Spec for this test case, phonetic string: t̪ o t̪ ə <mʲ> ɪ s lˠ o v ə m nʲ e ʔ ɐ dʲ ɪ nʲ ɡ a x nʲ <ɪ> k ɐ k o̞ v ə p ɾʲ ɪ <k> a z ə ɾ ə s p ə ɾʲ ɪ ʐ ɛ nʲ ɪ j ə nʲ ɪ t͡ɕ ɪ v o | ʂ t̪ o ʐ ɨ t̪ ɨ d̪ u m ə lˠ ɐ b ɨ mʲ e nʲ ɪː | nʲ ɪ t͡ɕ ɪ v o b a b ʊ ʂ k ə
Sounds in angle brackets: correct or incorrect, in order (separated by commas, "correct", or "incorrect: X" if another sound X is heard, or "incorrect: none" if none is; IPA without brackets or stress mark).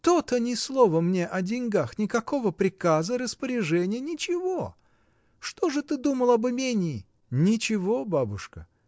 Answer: incorrect: nʲ, correct, correct